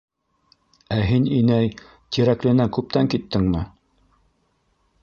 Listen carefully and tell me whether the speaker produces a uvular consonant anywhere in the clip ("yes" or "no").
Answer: no